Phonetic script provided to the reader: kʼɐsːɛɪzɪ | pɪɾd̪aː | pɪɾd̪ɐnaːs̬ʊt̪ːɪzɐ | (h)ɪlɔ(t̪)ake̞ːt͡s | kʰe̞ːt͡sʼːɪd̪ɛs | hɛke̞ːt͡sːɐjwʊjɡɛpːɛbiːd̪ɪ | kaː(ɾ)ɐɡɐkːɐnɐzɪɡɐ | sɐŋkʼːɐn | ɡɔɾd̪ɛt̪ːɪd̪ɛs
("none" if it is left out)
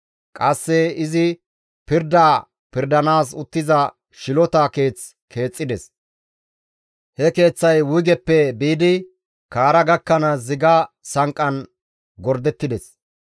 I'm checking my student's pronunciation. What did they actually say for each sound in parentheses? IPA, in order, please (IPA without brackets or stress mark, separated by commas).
ʃ, t̪, ɾ